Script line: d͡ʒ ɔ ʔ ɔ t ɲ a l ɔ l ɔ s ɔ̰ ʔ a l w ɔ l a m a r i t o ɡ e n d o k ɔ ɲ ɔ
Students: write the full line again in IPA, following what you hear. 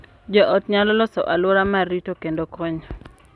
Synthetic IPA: d͡ʒ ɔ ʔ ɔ t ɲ a l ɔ l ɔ s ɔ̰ ʔ a l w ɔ ɾ a m a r i t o k e n d o k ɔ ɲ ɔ

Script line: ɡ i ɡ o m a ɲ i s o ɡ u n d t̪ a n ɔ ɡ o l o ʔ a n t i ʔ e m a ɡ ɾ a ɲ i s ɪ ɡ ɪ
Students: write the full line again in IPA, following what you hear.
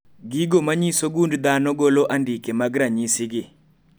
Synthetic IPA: ɡ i ɡ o m a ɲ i s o ɡ u n d d̪ a n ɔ ɡ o l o ʔ a n d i k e m a ɡ ɾ a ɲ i s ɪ ɡ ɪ

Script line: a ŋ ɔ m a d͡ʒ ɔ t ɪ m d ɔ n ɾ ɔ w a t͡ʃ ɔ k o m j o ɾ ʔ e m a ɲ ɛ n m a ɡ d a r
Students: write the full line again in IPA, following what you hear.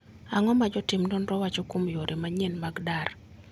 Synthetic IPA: a ŋ ɔ m a d͡ʒ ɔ t ɪ m d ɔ n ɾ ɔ w a t͡ʃ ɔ k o m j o ɾ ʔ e m a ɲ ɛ n m a ɡ d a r

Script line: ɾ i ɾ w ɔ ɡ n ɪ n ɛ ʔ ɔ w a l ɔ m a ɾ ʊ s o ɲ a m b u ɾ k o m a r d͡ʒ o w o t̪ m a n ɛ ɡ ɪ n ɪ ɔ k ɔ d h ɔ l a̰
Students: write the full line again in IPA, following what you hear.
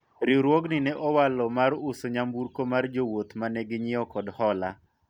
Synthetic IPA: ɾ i ɾ w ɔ ɡ n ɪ n ɛ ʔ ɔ w a l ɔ m a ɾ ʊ s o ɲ a m b u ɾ k o m a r d͡ʒ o w o t̪ m a n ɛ ɡ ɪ ɲ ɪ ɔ k ɔ d h ɔ l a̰

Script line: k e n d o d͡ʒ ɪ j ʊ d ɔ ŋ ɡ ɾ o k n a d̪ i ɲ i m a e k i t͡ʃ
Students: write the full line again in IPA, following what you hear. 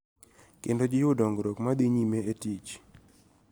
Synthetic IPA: k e n d o d͡ʒ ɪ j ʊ d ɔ ŋ ɡ ɾ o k m a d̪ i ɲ i m e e t i t͡ʃ

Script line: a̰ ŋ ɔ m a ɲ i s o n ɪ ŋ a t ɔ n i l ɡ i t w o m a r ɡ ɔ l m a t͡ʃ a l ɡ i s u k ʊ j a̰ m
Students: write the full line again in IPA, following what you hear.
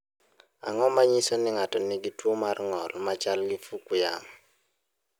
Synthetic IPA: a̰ ŋ ɔ m a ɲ i s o n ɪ ŋ a t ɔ n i ɡ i t w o m a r ŋ ɔ l m a t͡ʃ a l ɡ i f u k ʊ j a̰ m

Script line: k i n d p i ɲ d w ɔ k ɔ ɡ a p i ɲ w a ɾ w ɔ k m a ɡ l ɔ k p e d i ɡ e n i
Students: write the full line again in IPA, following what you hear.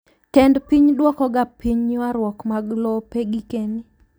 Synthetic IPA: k ɛ n d p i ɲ d w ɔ k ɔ ɡ a p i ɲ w a ɾ w ɔ k m a ɡ l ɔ p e ɡ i k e n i

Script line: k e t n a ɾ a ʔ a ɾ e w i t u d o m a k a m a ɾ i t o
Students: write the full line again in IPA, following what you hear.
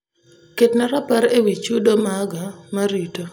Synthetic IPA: k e t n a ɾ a p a ɾ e w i t͡ʃ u d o m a ɡ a m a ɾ i t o

